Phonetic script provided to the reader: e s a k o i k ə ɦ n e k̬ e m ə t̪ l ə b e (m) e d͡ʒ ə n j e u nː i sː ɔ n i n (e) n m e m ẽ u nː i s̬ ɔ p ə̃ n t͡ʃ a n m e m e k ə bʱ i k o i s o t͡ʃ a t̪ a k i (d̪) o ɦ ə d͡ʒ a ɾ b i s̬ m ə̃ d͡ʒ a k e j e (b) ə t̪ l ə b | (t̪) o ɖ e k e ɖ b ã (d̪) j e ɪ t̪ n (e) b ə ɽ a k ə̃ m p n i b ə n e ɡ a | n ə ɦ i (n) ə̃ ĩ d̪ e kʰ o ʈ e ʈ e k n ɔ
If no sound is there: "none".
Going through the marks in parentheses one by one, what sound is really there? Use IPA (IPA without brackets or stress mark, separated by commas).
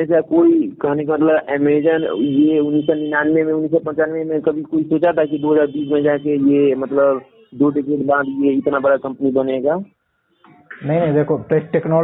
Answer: m, a, d̪, m, d̪, d̪, a, n